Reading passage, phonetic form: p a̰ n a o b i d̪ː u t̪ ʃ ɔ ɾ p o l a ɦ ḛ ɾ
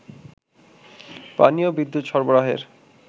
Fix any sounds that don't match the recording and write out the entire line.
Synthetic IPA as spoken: p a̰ n i o b i d̪ː u t̪ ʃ ɔ ɾ b o ɾ a ɦ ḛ ɾ